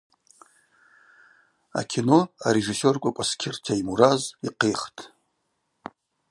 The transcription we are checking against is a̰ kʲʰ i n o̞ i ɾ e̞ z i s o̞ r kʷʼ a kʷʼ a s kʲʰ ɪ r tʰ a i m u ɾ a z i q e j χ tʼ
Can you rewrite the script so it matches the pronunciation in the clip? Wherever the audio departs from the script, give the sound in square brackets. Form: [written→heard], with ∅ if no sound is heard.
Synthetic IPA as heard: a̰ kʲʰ i n o̞ [i→a] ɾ e̞ [z→ʐ] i s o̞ r kʷʼ a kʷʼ a s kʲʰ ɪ r tʰ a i m u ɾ a z i q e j χ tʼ